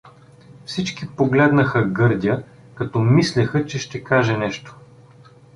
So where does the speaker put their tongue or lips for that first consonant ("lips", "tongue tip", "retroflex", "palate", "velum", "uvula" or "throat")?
lips